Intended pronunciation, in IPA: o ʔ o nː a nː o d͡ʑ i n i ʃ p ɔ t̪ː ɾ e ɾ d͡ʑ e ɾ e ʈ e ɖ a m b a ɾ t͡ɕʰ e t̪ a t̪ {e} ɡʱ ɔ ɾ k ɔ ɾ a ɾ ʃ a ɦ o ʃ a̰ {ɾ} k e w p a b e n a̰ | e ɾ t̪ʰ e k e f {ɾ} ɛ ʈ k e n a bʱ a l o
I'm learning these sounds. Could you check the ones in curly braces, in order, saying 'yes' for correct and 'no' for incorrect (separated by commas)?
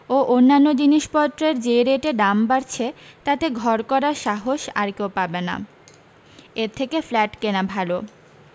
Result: yes, yes, no